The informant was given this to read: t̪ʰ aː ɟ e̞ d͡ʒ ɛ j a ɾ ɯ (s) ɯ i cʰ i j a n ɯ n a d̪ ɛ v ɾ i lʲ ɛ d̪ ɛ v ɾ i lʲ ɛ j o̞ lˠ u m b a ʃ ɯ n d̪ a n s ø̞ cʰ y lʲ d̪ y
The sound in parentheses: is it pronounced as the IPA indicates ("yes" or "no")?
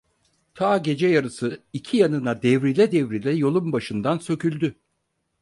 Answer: yes